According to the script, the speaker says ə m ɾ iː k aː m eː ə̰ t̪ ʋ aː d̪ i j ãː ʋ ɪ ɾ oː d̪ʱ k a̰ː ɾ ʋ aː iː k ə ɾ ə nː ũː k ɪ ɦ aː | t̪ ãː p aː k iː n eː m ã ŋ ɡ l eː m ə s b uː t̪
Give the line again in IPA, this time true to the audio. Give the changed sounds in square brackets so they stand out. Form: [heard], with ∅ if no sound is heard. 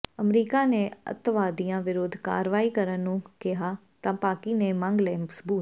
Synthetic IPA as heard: ə m ɾ iː k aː [n] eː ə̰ t̪ ʋ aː d̪ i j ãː ʋ ɪ ɾ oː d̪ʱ k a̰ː ɾ ʋ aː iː k ə ɾ ə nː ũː k ɪ ɦ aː | t̪ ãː p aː k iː n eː m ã ŋ ɡ l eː m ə s b uː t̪